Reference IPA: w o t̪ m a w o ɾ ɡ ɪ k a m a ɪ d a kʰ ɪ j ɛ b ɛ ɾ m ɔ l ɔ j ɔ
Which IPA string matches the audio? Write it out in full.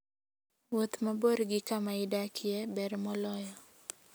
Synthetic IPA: w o t̪ m a b o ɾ ɡ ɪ k a m a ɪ d a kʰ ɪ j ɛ b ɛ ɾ m ɔ l ɔ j ɔ